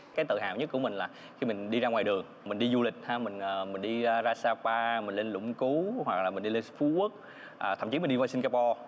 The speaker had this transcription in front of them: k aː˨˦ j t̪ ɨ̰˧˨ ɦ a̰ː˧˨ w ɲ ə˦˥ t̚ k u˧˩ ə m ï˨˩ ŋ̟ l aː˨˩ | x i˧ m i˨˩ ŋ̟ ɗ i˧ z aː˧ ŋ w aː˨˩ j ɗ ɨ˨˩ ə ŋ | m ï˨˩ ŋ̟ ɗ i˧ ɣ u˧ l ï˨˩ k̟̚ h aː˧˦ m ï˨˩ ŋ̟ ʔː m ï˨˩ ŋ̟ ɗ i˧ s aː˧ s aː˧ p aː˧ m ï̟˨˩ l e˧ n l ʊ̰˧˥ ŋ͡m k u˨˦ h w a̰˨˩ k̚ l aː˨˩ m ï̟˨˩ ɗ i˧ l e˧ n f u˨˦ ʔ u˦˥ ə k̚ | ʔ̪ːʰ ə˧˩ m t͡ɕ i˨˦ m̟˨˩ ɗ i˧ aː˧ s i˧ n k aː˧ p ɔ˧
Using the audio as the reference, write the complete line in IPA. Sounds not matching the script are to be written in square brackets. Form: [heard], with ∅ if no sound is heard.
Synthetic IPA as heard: k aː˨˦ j t̪ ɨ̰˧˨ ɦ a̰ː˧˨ w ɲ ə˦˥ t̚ k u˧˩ ə m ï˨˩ ŋ̟ l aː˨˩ | x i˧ m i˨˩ ŋ̟ ɗ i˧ z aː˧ ŋ w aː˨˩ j ɗ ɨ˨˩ ə ŋ | m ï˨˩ ŋ̟ ɗ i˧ [z] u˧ l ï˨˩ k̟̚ h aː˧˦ m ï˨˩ ŋ̟ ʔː m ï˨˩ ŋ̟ ɗ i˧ [z] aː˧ s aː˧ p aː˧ m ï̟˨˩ l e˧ n l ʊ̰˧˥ ŋ͡m k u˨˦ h w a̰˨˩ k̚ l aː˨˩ m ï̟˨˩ ɗ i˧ l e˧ n f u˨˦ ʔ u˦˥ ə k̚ | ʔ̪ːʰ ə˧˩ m t͡ɕ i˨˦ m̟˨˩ ɗ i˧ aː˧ s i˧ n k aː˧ p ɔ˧